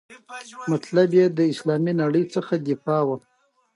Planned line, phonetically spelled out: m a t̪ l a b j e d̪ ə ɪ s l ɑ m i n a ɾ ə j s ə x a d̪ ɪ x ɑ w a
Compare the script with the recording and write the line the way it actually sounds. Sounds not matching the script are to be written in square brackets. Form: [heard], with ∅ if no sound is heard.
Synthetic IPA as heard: m a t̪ l a b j e d̪ ə ɪ s l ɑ m i n a [ɽ] ə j [t͡s] ə x a d̪ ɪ [f] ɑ w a